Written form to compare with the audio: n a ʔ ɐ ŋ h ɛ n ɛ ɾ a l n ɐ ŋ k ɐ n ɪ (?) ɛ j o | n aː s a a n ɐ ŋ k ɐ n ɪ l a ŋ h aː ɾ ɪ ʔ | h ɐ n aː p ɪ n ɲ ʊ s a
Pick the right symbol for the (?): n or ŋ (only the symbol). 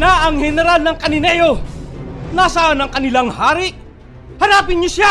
n